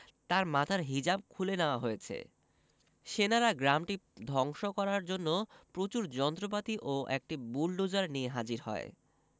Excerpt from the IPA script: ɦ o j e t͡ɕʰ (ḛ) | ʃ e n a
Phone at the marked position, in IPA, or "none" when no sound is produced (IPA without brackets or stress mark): ḛ